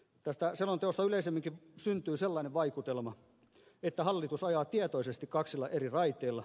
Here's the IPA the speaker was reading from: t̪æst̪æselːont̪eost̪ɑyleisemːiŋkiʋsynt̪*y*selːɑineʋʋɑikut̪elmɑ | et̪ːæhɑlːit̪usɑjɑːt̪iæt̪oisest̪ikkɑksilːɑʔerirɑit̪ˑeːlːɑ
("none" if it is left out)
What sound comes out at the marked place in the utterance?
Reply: yː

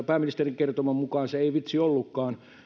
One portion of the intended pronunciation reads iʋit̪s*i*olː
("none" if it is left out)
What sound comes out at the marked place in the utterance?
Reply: i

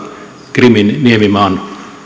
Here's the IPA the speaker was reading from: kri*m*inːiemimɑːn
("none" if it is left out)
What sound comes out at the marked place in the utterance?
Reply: m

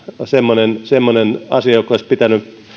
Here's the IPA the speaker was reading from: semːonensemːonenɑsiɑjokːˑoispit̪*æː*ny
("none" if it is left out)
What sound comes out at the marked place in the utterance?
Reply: æ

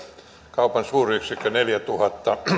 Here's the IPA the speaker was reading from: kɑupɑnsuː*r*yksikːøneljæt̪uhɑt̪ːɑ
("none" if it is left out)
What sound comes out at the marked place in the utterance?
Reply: r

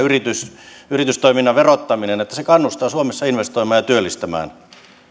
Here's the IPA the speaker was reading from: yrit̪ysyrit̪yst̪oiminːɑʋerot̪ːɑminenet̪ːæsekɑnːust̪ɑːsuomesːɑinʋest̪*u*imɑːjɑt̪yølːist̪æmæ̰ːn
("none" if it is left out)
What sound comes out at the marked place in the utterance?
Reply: o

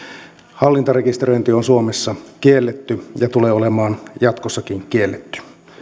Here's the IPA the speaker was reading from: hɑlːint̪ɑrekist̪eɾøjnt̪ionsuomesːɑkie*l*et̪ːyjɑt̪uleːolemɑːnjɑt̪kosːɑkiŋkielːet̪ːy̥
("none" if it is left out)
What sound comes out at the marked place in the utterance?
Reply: lː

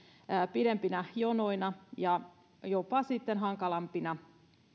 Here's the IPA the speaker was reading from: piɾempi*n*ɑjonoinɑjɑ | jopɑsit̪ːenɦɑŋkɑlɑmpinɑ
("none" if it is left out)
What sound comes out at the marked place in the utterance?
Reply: n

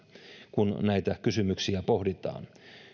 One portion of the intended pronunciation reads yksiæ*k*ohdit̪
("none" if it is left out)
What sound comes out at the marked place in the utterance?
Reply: p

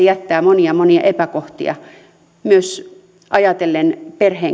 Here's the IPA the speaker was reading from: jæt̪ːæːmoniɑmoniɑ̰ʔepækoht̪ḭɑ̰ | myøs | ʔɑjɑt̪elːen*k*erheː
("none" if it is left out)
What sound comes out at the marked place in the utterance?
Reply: p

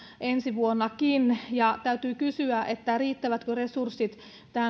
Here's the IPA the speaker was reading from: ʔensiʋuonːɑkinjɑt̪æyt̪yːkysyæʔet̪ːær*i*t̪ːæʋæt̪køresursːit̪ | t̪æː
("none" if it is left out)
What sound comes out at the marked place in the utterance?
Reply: iː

